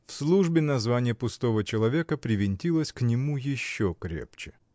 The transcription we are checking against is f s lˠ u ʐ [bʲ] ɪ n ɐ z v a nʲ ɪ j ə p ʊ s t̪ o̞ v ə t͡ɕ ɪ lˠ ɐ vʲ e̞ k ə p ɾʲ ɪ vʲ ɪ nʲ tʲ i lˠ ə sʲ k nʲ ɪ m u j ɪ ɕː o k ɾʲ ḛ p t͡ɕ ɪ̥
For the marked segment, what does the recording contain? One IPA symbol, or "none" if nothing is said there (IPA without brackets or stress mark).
bʲ